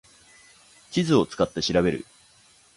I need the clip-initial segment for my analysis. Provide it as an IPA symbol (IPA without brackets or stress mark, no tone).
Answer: t͡ɕ